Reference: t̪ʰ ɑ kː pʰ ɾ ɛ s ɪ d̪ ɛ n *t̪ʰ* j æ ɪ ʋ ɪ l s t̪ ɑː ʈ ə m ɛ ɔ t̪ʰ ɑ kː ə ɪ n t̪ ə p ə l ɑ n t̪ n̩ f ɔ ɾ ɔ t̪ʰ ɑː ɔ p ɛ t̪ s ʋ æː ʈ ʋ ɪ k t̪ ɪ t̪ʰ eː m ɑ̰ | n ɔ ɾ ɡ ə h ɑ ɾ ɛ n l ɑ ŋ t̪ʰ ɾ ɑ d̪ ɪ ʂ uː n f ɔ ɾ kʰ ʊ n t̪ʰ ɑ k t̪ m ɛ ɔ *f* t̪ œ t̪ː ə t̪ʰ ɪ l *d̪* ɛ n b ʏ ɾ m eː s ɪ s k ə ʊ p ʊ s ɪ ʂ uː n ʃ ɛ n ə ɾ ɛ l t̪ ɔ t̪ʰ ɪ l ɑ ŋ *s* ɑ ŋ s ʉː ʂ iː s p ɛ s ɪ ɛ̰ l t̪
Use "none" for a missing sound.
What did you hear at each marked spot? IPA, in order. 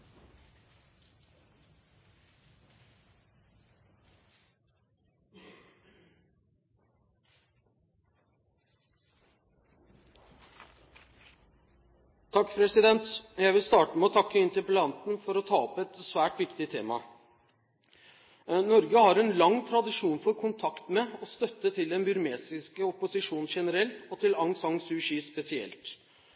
t̪, s, d̪, s

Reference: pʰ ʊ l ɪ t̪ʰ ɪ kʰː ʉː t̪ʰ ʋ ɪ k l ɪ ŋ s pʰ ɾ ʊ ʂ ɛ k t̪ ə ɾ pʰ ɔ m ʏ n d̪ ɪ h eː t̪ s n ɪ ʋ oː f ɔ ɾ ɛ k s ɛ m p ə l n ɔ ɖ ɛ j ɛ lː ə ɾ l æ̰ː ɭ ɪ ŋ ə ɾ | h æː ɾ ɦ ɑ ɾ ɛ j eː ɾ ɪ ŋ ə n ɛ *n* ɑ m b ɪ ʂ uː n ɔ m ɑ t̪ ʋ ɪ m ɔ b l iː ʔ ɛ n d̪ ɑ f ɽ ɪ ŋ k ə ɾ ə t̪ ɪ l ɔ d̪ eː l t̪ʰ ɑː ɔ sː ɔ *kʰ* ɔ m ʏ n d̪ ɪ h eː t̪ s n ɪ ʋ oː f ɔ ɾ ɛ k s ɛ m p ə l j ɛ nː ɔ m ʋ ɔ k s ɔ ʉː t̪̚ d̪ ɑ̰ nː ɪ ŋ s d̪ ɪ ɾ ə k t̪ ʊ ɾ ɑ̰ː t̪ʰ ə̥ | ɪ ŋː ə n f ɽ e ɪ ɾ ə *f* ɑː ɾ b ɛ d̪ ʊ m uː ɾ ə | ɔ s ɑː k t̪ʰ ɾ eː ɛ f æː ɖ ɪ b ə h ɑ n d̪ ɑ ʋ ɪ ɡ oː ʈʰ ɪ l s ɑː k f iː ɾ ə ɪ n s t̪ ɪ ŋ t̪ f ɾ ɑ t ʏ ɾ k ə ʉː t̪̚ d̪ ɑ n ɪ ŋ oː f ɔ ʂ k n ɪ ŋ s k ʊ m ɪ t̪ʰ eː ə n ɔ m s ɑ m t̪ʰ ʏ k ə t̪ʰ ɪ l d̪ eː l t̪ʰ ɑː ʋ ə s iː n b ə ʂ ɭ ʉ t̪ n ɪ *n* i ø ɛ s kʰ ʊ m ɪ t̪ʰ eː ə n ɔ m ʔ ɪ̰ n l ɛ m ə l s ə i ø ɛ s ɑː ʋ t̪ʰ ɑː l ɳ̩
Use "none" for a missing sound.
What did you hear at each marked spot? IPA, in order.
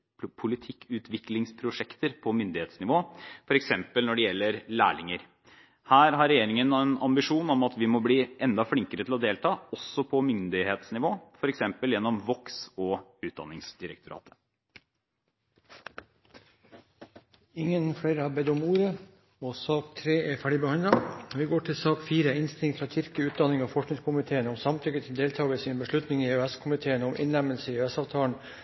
n, pʰ, h, ŋ

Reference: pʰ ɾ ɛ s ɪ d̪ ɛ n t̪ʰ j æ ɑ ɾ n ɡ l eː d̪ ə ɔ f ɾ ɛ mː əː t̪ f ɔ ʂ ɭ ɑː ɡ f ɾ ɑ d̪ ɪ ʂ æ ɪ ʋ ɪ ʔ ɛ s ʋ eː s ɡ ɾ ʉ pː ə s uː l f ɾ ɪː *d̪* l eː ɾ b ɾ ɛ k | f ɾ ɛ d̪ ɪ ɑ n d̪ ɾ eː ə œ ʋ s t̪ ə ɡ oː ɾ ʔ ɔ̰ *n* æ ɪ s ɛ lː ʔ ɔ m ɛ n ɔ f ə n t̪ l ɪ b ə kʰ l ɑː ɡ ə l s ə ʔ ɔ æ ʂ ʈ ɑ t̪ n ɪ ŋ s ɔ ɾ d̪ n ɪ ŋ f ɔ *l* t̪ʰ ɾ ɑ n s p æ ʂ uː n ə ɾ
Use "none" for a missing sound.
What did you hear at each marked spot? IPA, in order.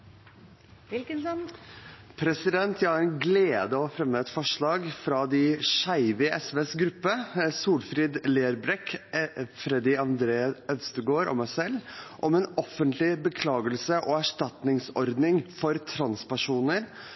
d̪, m, ɾ

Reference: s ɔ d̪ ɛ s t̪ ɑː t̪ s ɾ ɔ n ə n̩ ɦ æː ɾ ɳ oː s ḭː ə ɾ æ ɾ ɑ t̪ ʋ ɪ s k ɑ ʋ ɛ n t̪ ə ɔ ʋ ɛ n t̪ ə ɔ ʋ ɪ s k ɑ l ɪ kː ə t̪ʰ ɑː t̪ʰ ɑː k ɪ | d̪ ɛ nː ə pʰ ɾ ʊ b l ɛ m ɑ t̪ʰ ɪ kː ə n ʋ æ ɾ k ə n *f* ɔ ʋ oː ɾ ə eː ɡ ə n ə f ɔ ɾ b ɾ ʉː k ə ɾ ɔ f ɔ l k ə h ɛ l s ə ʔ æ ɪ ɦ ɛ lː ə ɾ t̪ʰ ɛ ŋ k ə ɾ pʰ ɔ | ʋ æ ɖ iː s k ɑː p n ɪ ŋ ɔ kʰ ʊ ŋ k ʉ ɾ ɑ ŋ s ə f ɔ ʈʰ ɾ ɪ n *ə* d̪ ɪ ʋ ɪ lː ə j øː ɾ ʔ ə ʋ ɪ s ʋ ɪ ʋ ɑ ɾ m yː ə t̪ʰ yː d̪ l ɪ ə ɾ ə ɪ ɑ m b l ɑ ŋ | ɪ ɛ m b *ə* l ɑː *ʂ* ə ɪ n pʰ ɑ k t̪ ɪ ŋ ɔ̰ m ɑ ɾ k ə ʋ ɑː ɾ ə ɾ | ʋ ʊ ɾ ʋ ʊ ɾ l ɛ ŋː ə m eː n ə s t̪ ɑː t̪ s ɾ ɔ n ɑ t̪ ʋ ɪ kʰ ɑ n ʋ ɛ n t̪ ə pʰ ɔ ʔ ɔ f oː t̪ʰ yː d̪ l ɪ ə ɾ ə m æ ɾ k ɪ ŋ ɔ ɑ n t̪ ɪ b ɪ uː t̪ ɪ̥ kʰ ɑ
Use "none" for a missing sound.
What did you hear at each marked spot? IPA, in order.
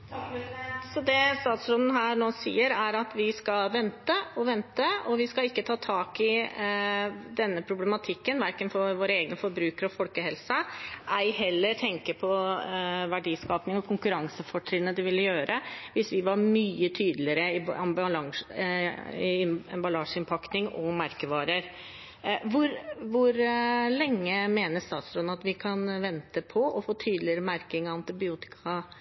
f, ə, ɑ, ʂ

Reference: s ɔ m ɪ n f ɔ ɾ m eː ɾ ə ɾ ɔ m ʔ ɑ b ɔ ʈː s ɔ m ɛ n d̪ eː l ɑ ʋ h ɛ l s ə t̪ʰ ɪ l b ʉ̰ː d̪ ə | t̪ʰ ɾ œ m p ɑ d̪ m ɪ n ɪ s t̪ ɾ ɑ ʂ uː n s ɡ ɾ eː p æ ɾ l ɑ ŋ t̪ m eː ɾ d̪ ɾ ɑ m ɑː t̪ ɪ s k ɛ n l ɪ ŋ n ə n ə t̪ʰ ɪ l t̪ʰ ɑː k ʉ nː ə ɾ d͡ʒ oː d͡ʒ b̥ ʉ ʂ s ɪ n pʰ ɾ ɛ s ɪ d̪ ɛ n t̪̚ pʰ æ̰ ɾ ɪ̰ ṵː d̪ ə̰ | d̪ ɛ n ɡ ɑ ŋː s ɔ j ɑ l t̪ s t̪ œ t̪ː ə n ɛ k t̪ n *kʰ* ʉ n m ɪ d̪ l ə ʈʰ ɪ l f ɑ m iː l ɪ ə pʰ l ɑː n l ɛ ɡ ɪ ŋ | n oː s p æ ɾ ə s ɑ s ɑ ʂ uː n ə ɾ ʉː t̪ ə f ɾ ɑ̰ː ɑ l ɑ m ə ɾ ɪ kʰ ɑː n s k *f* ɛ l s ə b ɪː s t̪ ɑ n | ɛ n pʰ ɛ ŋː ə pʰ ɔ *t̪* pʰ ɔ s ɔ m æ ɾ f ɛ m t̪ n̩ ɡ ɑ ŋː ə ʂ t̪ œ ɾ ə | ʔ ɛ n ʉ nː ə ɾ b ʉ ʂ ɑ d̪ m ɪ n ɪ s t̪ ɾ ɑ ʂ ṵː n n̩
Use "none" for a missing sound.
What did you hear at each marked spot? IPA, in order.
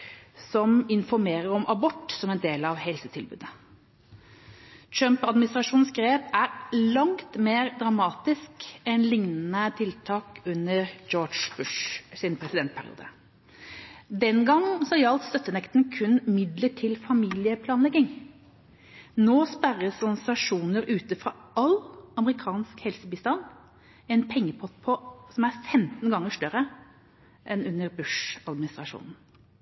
kʰ, h, t̪

